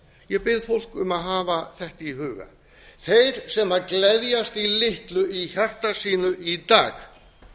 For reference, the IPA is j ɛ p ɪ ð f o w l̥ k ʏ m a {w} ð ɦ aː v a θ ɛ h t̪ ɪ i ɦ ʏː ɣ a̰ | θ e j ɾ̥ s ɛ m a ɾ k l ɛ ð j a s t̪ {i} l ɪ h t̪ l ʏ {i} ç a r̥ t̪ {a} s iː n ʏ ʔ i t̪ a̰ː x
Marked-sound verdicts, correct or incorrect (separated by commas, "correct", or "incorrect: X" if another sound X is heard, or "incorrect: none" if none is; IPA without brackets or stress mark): incorrect: none, correct, correct, correct